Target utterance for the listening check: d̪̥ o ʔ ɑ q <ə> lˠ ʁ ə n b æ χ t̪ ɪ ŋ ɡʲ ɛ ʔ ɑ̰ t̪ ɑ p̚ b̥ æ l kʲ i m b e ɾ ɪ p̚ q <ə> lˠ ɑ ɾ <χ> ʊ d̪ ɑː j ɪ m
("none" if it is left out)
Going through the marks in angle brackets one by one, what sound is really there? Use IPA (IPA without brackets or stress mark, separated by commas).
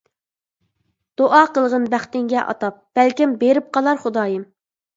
ə, ɑ, χ